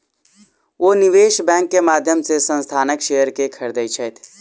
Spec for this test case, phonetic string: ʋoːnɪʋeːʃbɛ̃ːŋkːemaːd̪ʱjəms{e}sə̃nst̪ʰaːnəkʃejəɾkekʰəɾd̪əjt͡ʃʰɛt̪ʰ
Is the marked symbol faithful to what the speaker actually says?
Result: yes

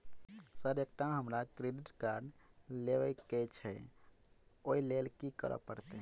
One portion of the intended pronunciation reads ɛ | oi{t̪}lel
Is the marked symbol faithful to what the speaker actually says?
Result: no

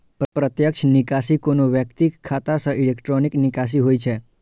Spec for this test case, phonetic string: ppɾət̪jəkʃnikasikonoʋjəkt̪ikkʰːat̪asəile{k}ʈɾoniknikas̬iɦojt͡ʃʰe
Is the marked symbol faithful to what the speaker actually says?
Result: yes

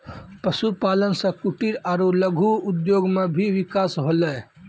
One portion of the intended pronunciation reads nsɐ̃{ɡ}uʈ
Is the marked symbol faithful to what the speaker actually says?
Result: no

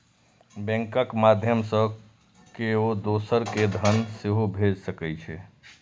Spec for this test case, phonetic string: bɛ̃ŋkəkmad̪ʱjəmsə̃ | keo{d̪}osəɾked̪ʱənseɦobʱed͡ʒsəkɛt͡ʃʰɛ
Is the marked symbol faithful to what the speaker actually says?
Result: yes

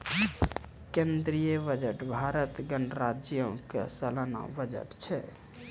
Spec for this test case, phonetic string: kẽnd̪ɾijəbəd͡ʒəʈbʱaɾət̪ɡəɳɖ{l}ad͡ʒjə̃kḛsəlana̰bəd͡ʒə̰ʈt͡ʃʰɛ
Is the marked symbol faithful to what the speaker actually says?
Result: no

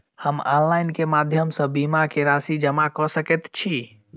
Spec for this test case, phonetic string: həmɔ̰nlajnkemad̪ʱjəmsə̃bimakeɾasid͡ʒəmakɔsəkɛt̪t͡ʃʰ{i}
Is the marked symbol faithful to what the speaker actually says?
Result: yes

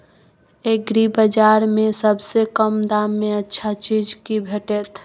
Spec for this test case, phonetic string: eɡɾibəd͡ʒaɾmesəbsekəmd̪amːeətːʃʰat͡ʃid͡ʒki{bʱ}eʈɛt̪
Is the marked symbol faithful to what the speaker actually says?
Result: yes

